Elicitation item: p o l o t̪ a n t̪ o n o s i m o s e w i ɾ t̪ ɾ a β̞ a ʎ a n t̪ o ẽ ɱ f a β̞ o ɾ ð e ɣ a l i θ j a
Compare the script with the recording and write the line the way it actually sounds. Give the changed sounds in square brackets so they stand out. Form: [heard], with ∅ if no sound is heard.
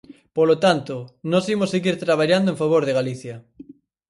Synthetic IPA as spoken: p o l o t̪ a n t̪ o n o s i m o s e [ɣ] i ɾ t̪ ɾ a β̞ a ʎ a n [d̪] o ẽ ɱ f a β̞ o ɾ ð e ɣ a l i θ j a